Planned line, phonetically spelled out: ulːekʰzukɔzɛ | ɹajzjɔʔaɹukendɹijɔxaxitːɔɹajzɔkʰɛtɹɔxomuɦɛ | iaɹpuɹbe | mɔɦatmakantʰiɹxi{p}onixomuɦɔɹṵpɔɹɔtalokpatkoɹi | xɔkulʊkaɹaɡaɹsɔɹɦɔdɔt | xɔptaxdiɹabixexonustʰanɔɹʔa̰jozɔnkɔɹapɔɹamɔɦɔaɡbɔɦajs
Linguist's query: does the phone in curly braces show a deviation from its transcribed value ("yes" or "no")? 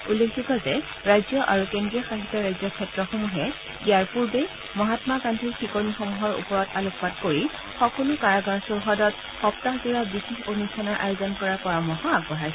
yes